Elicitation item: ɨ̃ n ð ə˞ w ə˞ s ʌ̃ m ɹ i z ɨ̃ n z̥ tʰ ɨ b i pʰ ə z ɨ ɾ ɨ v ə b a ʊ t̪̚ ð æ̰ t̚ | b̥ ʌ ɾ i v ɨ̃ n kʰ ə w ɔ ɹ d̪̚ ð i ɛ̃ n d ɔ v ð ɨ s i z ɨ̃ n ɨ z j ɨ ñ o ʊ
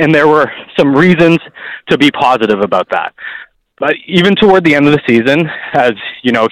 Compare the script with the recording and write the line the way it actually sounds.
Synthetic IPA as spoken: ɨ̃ n ð ə˞ w ə˞ s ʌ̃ m ɹ i z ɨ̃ n z̥ tʰ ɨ b i pʰ ɑ z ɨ ɾ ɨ v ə b a ʊ t̪̚ ð æ̰ t̚ | b̥ ʌ ɾ i v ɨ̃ n tʰ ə w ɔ ɹ d̪̚ ð i ɛ̃ n d ʌ v ð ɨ s i z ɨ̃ n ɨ z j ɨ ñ o ʊ